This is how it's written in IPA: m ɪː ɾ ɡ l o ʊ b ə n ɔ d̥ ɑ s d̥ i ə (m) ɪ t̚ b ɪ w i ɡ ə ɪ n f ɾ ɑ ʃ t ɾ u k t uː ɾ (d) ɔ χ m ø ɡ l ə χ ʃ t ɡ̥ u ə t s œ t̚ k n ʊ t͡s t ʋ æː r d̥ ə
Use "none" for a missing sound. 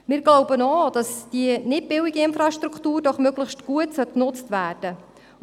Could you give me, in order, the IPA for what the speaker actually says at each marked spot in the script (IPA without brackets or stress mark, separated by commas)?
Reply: n, d